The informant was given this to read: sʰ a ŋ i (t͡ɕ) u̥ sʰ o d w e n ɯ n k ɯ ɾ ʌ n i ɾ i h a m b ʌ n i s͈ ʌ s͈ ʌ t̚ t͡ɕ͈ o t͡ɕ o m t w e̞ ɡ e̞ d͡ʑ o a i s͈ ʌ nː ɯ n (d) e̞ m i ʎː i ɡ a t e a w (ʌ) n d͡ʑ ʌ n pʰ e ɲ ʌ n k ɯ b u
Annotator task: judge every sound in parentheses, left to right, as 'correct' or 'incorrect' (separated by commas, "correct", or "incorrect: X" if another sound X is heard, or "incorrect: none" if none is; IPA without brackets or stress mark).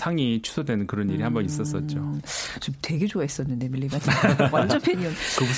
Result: incorrect: t͡ɕʰ, correct, incorrect: a